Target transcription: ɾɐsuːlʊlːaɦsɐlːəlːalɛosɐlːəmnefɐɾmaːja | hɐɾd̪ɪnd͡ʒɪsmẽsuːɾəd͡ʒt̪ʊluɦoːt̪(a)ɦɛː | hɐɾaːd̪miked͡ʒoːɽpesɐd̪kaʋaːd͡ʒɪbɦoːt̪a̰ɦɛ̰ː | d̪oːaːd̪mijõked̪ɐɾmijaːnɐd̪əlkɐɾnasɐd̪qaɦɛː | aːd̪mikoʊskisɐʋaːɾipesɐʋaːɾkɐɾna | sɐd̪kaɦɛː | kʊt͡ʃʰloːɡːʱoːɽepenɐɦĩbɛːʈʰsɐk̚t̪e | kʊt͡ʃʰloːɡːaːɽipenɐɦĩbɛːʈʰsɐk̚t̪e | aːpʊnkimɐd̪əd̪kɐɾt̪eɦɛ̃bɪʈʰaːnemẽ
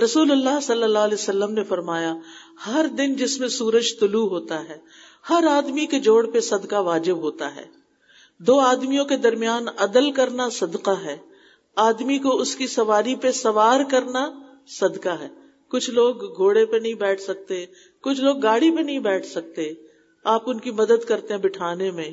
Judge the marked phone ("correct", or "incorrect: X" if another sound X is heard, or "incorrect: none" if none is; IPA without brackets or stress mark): correct